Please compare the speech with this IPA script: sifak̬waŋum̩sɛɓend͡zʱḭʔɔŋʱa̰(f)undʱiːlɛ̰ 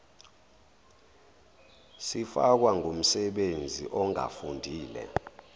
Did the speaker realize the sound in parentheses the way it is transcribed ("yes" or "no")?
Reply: yes